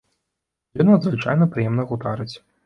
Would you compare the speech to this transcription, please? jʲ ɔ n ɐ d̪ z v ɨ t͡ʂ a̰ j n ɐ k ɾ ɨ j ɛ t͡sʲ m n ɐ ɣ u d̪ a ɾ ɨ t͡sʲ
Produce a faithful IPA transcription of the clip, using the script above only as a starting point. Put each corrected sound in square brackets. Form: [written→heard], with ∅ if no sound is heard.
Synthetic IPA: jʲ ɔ n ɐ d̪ z v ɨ t͡ʂ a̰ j n ɐ [k→p] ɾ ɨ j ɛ [t͡sʲ→∅] m n ɐ ɣ u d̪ a ɾ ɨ t͡sʲ